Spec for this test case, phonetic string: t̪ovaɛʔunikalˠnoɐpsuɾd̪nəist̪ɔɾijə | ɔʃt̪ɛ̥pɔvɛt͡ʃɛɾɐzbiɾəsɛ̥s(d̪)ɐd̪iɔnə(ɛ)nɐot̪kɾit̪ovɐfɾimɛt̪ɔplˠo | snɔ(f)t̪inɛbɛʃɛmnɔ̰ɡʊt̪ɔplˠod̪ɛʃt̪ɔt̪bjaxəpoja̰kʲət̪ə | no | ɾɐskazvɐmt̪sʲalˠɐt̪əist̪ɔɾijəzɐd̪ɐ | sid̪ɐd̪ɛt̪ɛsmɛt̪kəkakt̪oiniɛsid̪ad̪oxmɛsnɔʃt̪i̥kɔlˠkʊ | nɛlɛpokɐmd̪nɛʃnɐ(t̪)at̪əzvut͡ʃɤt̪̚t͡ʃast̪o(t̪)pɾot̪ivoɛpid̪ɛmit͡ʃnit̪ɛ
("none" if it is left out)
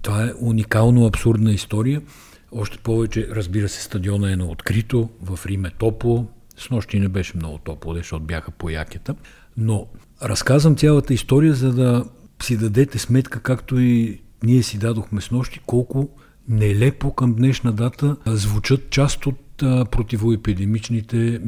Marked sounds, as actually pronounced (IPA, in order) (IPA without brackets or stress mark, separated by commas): t̪, ɛ, ʃ, d̪, t̪